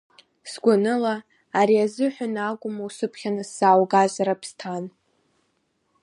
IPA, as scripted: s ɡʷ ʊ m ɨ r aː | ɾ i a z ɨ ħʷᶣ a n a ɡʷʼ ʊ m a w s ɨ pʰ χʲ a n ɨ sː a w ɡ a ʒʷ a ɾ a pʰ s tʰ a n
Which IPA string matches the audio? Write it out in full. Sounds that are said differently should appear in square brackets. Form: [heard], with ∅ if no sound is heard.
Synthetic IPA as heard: s ɡʷ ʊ [n] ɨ [l] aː | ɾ i a z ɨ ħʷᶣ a n a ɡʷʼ ʊ m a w s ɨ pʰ χʲ a n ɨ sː a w ɡ a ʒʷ a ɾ a pʰ s tʰ a n